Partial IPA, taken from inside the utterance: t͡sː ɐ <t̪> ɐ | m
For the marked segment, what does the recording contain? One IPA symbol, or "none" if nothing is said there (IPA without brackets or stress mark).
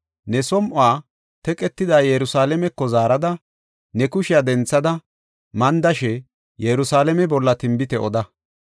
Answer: d̪